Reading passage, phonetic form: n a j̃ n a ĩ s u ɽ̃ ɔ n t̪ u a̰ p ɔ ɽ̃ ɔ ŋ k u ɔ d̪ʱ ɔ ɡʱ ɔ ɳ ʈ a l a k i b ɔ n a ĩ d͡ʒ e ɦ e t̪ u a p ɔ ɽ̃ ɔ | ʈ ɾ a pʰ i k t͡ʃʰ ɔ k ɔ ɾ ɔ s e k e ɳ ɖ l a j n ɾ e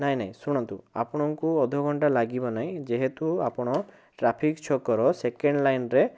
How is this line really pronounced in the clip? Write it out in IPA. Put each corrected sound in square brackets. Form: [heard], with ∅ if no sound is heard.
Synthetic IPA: n a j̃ n a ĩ s u ɽ̃ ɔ n t̪ u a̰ p ɔ ɽ̃ ɔ ŋ k u ɔ d̪ʱ ɔ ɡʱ ɔ ɳ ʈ a l a [ɡ] i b ɔ n a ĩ d͡ʒ e ɦ e t̪ u a p ɔ ɽ̃ ɔ | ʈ ɾ a pʰ i k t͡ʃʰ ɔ k ɔ ɾ ɔ s e k e ɳ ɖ l a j n ɾ e

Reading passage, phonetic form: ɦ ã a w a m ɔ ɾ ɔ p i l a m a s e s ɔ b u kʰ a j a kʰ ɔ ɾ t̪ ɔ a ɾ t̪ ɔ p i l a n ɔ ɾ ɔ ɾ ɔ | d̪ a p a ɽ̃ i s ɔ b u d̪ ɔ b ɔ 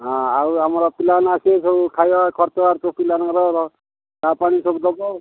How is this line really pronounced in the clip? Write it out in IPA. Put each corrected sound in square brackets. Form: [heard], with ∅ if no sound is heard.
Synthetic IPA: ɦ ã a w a m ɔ ɾ ɔ p i l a [n] a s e s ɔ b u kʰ a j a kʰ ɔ ɾ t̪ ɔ a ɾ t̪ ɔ p i l a n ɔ ɾ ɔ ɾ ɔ | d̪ a p a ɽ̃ i s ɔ b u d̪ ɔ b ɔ

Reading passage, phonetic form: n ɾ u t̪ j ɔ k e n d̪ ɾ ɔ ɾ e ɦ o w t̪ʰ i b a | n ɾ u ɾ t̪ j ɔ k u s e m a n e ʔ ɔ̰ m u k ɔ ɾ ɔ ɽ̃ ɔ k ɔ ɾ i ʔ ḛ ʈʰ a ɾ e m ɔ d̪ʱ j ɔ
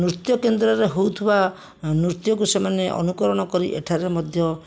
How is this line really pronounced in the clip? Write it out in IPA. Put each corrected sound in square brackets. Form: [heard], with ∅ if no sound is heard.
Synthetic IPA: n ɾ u t̪ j ɔ k e n d̪ ɾ ɔ ɾ e ɦ o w t̪ʰ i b a | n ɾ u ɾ t̪ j ɔ k u s e m a n e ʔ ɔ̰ [n] u k ɔ ɾ ɔ ɽ̃ ɔ k ɔ ɾ i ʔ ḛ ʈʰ a ɾ e m ɔ d̪ʱ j ɔ

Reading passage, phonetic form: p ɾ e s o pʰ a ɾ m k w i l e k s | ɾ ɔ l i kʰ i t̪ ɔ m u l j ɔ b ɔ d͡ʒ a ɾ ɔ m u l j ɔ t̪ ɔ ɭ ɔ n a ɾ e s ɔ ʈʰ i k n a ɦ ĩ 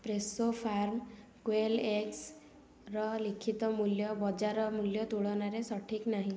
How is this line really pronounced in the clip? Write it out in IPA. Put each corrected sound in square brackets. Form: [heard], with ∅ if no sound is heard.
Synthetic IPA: p ɾ e s o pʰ a ɾ m k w [e] l e k s | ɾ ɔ l i kʰ i t̪ ɔ m u l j ɔ b ɔ d͡ʒ a ɾ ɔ m u l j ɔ t̪ [u] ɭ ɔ n a ɾ e s ɔ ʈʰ i k n a ɦ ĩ

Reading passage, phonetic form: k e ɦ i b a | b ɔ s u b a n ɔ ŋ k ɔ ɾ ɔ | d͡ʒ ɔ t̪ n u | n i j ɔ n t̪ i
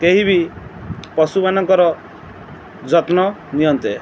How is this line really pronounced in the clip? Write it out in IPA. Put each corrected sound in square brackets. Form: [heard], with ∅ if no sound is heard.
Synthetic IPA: k e ɦ i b [i] | [p] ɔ s u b a n ɔ ŋ k ɔ ɾ ɔ | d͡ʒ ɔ t̪ n [ɔ] | n i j ɔ n t̪ [e]

